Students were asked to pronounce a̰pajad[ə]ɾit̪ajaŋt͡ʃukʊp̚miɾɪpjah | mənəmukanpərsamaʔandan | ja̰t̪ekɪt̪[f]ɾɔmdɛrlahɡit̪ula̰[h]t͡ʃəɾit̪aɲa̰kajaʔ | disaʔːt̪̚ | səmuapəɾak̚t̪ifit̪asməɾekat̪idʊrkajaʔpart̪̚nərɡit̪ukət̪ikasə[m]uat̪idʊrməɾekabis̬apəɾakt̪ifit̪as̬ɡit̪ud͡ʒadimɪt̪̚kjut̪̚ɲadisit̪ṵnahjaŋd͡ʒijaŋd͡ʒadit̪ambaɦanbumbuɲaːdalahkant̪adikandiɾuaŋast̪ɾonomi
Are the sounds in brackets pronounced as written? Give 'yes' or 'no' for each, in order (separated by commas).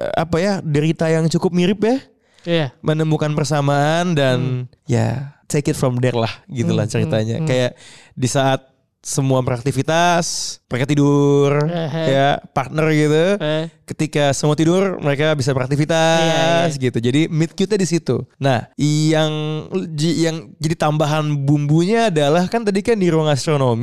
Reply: yes, yes, yes, yes